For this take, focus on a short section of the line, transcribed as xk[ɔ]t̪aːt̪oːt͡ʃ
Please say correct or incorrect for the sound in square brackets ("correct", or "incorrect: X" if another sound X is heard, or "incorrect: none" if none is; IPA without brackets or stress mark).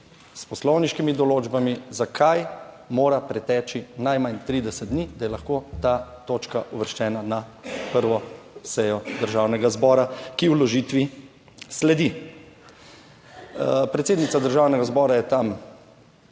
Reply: incorrect: o